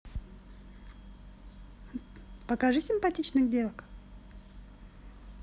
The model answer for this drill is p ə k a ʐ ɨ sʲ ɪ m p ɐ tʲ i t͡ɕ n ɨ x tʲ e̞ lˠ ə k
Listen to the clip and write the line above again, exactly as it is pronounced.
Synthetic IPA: p ə k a ʐ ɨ sʲ ɪ m p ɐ tʲ i t͡ɕ n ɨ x dʲ e̞ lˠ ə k